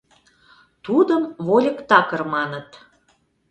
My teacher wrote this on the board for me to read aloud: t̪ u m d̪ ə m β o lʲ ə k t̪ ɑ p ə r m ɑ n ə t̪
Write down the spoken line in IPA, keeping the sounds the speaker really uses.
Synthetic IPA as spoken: t̪ u d̪ ə m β o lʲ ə k t̪ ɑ k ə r m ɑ n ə t̪